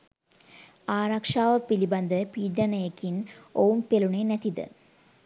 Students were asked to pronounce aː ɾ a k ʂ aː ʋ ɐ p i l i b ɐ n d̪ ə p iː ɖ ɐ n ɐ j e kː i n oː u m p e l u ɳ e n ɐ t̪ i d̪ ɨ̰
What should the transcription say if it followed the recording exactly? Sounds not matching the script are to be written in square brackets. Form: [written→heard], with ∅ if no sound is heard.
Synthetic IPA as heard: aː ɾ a k ʂ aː ʋ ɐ p i l i b ɐ n d̪ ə p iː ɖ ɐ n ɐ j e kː i n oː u m p e l u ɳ e n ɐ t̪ i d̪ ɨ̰